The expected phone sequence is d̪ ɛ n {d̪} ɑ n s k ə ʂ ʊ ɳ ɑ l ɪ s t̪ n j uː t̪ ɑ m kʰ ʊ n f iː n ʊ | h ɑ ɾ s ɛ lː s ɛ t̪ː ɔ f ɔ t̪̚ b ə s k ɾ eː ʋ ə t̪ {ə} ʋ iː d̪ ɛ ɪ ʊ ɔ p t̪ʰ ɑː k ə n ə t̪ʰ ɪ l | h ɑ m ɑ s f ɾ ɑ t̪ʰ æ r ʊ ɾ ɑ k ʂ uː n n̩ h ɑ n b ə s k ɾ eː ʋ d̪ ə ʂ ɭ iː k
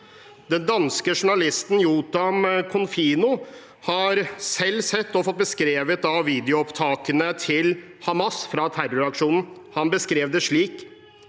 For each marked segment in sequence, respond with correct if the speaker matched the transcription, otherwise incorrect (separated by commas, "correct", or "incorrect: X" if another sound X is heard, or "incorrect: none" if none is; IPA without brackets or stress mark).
correct, incorrect: ɑ